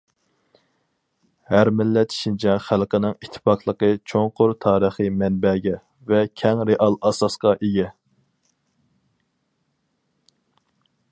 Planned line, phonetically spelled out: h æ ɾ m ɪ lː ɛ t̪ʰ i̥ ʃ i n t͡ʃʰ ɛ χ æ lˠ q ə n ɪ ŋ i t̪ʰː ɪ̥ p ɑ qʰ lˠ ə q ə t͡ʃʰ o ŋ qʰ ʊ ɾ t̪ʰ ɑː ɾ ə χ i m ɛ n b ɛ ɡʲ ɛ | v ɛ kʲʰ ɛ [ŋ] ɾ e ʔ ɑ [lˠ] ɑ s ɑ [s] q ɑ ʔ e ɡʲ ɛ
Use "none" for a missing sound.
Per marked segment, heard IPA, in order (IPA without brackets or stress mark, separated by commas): ŋ, lˠ, s